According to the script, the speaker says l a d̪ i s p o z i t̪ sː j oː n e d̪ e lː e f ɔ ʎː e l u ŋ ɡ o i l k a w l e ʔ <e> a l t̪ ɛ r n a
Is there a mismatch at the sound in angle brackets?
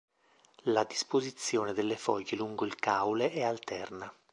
yes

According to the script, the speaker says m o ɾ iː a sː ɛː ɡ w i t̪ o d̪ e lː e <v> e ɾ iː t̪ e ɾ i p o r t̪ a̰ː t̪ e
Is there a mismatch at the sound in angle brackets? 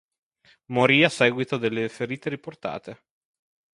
yes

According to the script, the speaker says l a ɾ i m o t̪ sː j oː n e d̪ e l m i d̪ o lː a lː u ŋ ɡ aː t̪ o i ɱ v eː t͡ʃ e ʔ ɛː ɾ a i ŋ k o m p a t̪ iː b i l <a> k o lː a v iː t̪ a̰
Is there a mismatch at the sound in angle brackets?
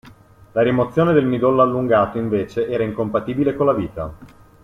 yes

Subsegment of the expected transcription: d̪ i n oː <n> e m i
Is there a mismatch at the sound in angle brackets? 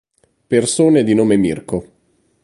yes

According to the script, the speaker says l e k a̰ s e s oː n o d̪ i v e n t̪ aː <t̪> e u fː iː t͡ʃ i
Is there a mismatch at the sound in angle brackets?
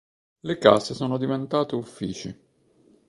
no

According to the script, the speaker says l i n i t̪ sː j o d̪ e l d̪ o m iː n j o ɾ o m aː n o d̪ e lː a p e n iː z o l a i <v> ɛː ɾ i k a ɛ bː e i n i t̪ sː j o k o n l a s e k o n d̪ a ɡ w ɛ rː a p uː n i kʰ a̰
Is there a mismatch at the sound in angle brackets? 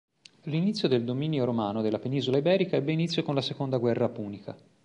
yes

